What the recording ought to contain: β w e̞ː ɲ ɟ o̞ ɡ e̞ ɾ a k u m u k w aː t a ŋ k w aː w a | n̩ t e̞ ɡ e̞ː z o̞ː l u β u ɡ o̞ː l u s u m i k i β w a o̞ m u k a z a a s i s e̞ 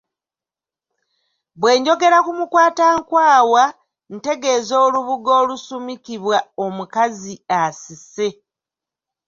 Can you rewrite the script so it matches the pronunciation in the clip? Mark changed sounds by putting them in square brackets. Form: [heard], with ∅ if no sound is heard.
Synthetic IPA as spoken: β w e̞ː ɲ ɟ o̞ ɡ e̞ ɾ a k u m u k w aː t a ŋ k w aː w a | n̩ t e̞ ɡ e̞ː z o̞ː l u β u ɡ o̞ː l u s u m i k i β w a o̞ m u k a z [i] a s i s e̞